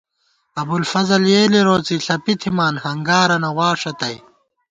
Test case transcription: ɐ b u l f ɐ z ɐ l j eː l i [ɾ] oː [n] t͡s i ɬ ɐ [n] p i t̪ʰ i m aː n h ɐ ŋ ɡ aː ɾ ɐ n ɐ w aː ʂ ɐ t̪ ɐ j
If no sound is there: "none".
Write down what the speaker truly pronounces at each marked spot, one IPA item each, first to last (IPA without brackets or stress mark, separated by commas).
ɾ, none, none